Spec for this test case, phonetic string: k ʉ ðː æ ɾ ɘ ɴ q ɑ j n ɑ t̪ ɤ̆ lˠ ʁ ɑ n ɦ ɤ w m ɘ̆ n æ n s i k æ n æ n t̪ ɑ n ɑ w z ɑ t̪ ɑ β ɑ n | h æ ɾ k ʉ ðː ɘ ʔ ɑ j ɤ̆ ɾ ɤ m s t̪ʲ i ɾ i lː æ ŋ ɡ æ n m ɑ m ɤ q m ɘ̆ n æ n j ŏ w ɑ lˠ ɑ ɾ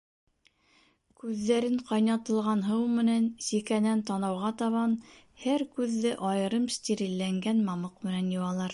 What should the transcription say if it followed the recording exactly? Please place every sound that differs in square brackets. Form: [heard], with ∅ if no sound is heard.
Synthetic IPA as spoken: k ʉ ðː æ ɾ ɘ ɴ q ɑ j n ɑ t̪ ɤ̆ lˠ ʁ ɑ n ɦ ɤ w m ɘ̆ n æ n s i k æ n æ n t̪ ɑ n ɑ w [ʁ] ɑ t̪ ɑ β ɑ n | h æ ɾ k ʉ ðː ɘ ʔ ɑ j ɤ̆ ɾ ɤ m s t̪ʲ i ɾ i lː æ ŋ ɡ æ n m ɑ m ɤ q m ɘ̆ n æ n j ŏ w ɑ lˠ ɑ ɾ

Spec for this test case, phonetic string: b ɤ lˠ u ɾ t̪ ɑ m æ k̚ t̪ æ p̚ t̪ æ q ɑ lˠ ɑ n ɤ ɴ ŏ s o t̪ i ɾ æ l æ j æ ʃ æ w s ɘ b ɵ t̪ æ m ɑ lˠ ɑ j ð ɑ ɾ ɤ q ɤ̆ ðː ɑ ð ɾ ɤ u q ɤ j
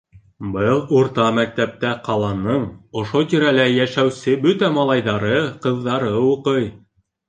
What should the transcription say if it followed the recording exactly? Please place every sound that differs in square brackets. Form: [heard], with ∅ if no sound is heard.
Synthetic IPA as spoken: b ɤ lˠ u ɾ t̪ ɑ m æ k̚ t̪ æ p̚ t̪ æ q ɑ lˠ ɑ n ɤ ɴ ŏ [ʃ] o t̪ i ɾ æ l æ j æ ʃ æ w s ɘ b ɵ t̪ æ m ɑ lˠ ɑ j ð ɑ ɾ ɤ q ɤ̆ ðː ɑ [∅] ɾ ɤ u q ɤ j

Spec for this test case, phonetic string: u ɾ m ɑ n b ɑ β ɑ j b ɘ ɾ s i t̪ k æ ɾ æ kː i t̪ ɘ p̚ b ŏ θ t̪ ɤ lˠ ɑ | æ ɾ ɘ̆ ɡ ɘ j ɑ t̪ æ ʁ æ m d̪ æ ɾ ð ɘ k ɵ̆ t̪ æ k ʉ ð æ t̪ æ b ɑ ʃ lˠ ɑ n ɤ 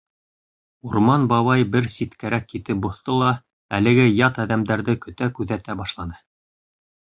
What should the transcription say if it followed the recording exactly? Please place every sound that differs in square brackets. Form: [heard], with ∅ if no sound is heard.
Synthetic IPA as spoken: u ɾ m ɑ n b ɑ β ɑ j b ɘ ɾ s i t̪ k æ ɾ æ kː i t̪ ɘ p̚ b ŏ θ t̪ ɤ lˠ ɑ | æ [l] ɘ̆ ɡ ɘ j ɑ t̪ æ [ð] æ m d̪ æ ɾ ð ɘ k ɵ̆ t̪ æ k ʉ ð æ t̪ æ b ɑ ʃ lˠ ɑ n ɤ

